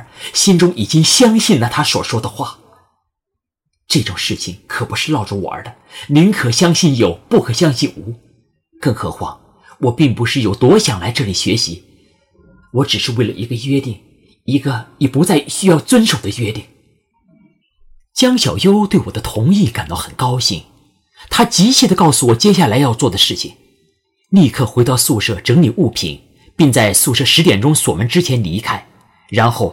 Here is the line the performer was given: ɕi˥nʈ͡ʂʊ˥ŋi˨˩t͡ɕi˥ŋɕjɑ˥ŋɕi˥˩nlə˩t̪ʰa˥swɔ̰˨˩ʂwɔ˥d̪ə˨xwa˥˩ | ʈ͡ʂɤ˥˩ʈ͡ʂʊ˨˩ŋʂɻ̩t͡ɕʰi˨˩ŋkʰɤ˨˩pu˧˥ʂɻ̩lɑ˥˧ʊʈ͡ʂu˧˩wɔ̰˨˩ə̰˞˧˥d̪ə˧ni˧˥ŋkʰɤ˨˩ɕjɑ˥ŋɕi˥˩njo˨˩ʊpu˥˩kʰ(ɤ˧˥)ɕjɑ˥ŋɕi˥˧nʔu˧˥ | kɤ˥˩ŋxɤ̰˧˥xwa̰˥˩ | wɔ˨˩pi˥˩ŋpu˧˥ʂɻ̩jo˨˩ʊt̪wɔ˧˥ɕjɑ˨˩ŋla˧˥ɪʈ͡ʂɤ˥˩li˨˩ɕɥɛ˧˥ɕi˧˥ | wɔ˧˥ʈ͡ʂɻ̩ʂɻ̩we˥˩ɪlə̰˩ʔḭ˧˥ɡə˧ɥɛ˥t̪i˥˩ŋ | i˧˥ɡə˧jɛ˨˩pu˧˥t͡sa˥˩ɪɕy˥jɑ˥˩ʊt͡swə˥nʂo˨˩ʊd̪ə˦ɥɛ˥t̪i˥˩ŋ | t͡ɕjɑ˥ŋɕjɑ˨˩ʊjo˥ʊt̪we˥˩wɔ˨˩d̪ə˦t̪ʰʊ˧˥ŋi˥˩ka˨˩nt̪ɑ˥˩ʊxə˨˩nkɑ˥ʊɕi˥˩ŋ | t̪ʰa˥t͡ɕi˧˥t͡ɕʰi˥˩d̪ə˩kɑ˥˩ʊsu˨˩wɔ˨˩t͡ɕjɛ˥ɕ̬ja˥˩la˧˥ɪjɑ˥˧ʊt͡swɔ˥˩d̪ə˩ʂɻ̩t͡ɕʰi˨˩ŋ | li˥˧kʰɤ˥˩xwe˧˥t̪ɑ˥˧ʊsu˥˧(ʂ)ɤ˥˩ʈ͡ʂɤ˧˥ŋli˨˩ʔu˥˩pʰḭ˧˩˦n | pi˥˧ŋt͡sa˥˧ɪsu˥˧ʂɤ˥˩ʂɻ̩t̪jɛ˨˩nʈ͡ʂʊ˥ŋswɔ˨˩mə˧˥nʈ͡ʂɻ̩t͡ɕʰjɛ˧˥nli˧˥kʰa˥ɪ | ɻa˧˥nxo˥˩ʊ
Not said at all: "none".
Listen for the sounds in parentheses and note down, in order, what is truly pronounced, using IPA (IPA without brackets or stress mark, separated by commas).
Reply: ɤ˨˩, ʂ